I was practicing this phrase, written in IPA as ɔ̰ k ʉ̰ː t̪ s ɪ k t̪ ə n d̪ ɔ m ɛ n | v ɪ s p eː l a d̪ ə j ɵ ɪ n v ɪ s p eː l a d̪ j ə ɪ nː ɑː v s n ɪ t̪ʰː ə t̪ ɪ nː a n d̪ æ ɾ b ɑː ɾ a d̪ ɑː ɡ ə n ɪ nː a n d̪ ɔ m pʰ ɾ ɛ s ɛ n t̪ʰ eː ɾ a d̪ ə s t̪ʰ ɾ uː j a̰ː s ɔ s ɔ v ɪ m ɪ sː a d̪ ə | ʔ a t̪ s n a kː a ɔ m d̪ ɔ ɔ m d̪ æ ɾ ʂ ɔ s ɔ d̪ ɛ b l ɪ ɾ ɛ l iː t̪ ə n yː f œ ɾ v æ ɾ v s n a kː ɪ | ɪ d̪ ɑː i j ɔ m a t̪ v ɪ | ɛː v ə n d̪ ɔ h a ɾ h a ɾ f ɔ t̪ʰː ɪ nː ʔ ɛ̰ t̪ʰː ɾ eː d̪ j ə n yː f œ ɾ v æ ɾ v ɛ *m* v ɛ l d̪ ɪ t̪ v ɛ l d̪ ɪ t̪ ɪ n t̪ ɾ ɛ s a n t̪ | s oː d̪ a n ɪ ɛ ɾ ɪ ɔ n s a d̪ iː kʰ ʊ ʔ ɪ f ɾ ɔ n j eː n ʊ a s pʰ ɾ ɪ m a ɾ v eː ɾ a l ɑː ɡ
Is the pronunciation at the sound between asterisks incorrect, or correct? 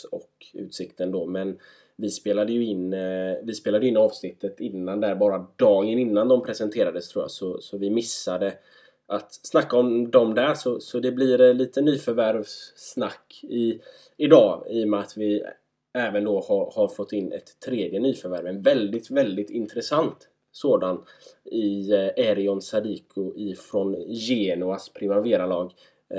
incorrect